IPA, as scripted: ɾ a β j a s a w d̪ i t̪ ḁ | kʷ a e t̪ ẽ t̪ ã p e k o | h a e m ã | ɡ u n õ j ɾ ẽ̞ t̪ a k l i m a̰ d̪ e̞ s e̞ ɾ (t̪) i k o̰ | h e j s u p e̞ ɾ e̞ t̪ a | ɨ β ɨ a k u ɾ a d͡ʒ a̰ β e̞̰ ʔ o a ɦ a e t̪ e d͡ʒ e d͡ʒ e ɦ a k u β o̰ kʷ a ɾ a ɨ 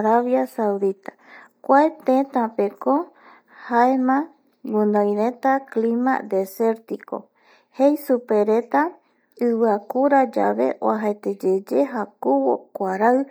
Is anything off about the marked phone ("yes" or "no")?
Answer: no